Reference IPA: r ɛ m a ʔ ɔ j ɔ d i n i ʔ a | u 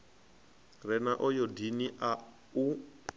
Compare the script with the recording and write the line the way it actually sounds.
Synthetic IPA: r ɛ n a ʔ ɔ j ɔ d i n i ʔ a | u